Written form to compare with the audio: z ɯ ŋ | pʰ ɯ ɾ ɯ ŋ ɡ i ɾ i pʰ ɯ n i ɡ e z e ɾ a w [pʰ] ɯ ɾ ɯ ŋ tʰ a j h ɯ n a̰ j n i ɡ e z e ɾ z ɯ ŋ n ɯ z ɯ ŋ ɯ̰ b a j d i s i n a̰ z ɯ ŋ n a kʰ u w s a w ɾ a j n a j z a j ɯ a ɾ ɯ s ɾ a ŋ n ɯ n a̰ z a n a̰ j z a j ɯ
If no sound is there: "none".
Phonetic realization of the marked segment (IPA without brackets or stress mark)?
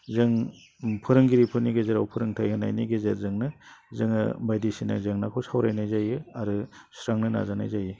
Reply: pʰ